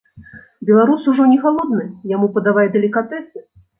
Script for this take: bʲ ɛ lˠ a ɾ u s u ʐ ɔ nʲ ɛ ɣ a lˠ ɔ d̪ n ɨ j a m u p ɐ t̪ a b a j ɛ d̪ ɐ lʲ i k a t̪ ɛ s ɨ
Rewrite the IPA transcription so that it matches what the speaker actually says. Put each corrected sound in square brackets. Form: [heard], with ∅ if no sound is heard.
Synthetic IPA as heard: bʲ ɛ lˠ a ɾ u s u ʐ ɔ nʲ ɛ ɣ a lˠ ɔ d̪ n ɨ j a m u p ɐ [d̪] a [v] a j ɛ d̪ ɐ lʲ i k a t̪ ɛ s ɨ